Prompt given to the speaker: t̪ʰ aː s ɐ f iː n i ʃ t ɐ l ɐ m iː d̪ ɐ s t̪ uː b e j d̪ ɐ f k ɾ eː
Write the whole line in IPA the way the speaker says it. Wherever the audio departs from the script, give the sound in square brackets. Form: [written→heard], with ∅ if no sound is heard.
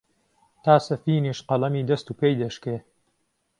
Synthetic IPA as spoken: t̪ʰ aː s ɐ f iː n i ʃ [t→q] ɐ l ɐ m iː d̪ ɐ s t̪ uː [b→p] e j d̪ ɐ [f→ʃ] k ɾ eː